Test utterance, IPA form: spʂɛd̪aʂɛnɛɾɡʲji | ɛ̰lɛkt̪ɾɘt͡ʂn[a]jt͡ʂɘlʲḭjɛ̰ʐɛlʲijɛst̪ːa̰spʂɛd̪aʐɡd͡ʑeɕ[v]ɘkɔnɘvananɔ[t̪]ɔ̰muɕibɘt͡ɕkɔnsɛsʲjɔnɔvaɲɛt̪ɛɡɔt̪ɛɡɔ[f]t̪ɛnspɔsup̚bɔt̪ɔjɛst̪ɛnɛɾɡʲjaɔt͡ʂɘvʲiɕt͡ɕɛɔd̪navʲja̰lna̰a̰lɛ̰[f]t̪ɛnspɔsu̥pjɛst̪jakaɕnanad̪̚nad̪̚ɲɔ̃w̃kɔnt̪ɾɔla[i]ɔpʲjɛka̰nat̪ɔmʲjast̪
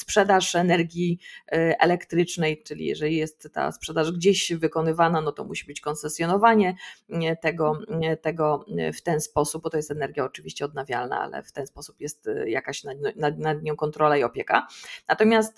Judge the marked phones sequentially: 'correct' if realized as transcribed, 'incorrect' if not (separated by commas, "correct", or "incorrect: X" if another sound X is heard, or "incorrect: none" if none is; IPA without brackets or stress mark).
incorrect: ɛ, correct, correct, correct, correct, correct